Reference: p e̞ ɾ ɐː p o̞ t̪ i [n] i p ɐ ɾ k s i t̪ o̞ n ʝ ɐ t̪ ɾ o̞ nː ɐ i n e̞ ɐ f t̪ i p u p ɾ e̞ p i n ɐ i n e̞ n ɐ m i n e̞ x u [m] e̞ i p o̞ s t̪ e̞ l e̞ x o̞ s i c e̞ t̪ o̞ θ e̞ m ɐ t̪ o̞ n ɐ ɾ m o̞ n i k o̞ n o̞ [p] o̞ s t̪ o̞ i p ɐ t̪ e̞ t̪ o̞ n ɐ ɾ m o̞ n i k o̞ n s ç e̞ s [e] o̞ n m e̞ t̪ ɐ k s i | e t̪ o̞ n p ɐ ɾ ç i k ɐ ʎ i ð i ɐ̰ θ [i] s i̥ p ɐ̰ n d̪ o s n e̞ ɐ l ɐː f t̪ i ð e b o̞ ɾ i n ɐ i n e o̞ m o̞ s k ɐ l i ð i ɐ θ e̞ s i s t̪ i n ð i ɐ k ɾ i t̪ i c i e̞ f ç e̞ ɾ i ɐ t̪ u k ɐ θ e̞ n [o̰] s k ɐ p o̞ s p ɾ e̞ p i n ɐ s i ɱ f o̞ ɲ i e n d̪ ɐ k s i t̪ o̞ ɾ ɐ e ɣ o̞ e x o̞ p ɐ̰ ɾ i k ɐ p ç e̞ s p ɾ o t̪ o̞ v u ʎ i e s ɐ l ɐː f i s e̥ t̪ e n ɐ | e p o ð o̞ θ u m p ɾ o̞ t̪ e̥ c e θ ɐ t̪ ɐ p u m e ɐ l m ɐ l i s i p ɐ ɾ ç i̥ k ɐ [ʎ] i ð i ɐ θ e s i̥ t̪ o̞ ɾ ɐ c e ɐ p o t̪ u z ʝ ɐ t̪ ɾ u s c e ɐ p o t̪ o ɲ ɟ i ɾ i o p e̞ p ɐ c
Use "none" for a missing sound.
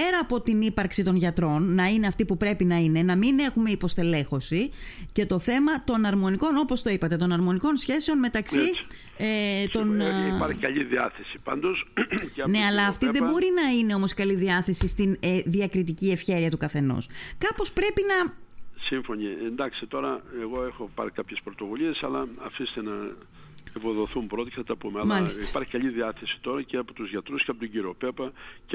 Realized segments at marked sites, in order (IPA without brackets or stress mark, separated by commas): n, m, p, e, e, o̰, ʎ